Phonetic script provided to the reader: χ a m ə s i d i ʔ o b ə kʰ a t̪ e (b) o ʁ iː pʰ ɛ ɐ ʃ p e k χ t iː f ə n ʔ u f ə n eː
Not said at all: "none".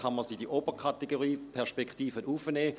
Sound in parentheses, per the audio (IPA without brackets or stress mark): ɡ